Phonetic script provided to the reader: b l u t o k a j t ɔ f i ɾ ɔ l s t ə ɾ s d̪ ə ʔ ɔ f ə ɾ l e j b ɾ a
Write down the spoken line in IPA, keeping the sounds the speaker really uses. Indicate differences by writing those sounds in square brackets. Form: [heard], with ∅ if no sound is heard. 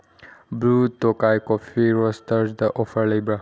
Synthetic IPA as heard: b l u t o k a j [k] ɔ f i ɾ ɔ [∅] s t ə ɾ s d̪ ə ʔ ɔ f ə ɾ l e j b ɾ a